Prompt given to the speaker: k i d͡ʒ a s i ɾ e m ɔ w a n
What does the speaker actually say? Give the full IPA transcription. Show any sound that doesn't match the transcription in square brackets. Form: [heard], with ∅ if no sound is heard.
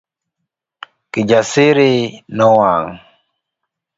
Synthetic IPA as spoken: k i d͡ʒ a s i ɾ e [n] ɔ w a [ŋ]